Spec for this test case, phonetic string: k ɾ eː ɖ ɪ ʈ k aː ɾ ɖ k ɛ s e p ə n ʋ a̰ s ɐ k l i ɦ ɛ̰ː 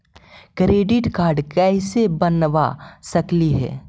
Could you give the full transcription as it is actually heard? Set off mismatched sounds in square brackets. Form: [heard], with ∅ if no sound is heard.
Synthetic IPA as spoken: k ɾ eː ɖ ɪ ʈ k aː ɾ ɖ k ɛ s e [b] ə n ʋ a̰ s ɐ k l i ɦ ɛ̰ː